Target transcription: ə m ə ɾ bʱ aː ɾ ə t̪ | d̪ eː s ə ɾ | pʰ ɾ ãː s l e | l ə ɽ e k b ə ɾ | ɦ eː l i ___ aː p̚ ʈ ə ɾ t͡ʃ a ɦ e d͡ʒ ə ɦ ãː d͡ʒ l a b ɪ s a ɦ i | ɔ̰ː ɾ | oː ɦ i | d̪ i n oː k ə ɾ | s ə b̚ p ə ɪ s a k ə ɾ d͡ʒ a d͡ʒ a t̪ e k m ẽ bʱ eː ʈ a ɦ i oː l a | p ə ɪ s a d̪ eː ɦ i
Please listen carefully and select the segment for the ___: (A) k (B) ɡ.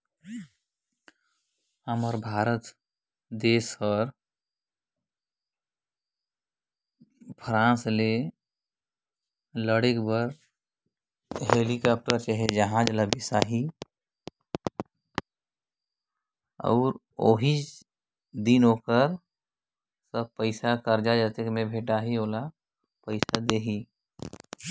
A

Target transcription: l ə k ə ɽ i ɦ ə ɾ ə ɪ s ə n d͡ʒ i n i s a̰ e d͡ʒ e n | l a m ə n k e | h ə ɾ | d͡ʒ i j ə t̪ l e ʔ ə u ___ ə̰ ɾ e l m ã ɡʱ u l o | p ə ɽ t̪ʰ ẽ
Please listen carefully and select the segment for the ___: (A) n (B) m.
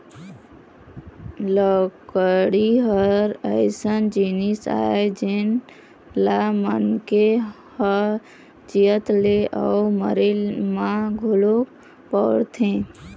B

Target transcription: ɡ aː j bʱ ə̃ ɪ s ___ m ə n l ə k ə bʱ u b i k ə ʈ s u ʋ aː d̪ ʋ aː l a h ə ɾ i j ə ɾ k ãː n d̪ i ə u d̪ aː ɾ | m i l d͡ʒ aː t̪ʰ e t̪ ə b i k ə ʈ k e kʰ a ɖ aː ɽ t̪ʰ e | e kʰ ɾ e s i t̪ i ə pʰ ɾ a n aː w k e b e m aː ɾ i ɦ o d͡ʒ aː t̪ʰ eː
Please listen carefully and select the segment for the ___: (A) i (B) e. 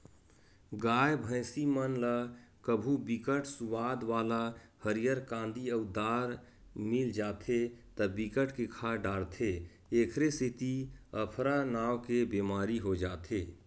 A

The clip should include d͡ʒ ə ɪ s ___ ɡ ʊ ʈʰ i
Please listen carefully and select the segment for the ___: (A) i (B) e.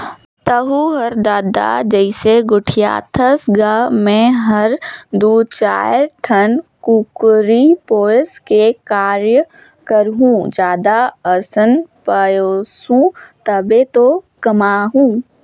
B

